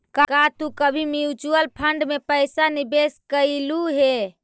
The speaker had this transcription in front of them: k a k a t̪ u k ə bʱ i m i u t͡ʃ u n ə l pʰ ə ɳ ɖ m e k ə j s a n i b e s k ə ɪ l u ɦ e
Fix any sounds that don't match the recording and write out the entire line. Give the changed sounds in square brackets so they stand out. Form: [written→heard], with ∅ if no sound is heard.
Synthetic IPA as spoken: k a k a t̪ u k ə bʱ i m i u t͡ʃ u [n→∅] ə l pʰ ə ɳ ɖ m e [k→p] ə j s a n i b e s k ə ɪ l u ɦ e